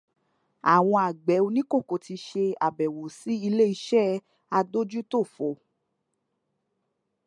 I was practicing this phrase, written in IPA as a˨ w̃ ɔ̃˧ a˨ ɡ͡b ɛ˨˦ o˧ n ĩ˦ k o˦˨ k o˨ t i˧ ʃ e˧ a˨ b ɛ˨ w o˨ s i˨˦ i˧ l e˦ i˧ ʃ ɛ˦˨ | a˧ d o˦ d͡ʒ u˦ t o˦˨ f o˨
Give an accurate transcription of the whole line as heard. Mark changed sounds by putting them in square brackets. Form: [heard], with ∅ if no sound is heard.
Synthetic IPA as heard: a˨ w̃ ɔ̃˧ a˨ ɡ͡b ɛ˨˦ o˧ n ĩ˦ k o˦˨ k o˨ t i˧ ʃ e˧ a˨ b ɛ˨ w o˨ s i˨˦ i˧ l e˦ i˧ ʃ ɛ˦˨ | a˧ d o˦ d͡ʒ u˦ t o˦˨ f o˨